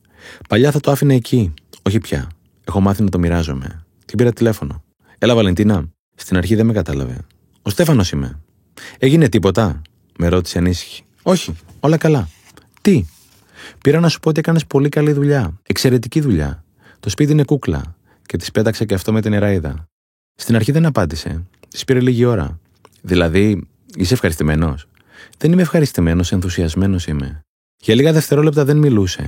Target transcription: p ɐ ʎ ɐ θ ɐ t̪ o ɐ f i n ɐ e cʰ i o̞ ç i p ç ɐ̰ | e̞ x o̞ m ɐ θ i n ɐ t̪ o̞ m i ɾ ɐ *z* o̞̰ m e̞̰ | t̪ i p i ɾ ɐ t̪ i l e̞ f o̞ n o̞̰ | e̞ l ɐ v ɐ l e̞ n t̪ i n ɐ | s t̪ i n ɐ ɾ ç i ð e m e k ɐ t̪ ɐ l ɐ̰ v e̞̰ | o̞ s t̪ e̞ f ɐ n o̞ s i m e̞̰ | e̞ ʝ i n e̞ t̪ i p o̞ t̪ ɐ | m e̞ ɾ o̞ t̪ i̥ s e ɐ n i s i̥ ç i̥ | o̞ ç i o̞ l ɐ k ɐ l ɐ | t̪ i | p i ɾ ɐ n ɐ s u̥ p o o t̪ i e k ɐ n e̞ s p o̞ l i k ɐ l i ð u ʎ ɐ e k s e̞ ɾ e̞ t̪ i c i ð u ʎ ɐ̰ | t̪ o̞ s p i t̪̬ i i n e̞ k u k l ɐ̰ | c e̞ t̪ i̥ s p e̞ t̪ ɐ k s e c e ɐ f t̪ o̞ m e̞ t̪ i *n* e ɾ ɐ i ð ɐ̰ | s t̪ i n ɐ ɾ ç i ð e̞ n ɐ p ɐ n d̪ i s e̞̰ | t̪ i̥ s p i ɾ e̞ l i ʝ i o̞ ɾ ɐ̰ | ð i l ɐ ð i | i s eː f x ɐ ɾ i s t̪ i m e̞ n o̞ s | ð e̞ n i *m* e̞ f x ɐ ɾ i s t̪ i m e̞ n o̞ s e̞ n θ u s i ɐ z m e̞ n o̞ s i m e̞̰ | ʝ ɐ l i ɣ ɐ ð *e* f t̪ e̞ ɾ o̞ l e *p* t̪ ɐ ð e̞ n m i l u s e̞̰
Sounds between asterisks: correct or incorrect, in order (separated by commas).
correct, correct, correct, correct, correct